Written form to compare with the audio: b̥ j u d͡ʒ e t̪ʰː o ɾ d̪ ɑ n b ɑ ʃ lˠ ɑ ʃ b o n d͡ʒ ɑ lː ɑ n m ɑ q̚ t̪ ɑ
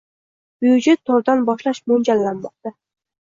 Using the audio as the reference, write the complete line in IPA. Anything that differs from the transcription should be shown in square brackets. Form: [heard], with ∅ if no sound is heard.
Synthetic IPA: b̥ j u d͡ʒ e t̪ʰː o ɾ d̪ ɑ n b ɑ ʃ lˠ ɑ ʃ [m] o n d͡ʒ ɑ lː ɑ n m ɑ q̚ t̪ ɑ